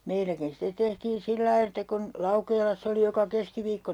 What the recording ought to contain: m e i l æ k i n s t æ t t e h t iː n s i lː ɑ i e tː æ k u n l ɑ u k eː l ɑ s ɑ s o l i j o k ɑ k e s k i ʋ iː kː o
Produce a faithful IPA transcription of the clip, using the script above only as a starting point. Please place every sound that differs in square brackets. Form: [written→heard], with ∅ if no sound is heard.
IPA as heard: m e i l æ k i n s t [æ→e] t t e h t iː n s i lː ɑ i e tː æ k u n l ɑ u k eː l ɑ [s→sː] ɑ [s→∅] o l i j o k ɑ k e s k i ʋ iː kː o

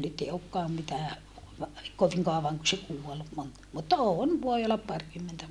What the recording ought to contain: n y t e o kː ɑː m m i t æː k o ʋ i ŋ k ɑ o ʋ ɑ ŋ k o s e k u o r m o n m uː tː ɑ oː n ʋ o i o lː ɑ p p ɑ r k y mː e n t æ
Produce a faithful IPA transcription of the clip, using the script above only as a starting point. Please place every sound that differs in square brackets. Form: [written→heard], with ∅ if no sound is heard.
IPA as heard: n y t e o kː ɑː m m i t æː k o ʋ i ŋ k ɑ o ʋ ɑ ŋ k [o→u] s e k u o [r→l] m o n m [uː→u] tː ɑ oː n ʋ o i o lː ɑ p p ɑ r k y mː e n t æ

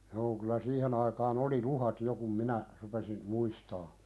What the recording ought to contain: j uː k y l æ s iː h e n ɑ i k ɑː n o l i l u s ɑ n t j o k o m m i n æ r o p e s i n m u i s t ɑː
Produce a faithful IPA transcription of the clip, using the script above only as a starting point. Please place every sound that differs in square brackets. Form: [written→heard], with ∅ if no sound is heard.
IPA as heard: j [uː→oː] k y l æ s iː h e n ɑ i k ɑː n o l i l u [s→h] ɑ [n→∅] t j o k [o→u] m m i n æ r [o→u] p e s i n m u i s t ɑː

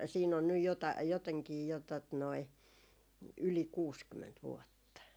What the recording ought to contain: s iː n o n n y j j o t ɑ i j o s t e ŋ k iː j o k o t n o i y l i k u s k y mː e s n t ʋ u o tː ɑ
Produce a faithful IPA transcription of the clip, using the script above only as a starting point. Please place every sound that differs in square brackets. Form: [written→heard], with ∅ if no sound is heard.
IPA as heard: s iː n o n n y j j o t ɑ i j o [s→∅] t e ŋ k iː j o [k→t] o t n o i y l i k [u→uː] s k y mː e [s→∅] n t ʋ u o tː ɑ

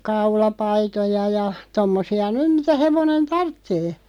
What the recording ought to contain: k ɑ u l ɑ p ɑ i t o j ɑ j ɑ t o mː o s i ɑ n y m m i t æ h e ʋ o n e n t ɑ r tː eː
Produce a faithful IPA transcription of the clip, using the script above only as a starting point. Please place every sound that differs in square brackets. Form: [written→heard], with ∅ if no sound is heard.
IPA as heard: k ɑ u l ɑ p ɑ i t o j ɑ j ɑ t o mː o s i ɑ n y m m i t æ h e ʋ o n e n t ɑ r tː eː

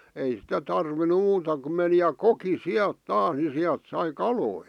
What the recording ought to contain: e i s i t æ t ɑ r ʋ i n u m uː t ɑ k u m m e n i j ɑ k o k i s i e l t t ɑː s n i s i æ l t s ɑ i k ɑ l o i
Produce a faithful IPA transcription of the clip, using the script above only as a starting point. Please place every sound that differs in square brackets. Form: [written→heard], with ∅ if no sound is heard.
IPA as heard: e i s i t æ t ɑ r ʋ i n u m uː t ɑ k u m m e n i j ɑ k o k i s i [e→æ] l t t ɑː s n i s i æ l t s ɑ i k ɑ l o i

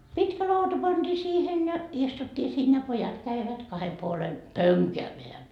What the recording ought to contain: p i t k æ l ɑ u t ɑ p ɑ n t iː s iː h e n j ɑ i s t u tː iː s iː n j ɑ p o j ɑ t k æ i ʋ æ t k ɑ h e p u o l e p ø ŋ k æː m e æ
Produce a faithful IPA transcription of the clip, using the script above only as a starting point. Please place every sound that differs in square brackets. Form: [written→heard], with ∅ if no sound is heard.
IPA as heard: p i t k æ l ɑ u t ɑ p ɑ n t iː s iː h e n j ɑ i s t u tː iː s iː n j ɑ p o j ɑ t k æ i ʋ æ t k ɑ h e p u o l e p ø ŋ k æː m e æ

